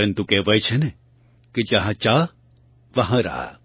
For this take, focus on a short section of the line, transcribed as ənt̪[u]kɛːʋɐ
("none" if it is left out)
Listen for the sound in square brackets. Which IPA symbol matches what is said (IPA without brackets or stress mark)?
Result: u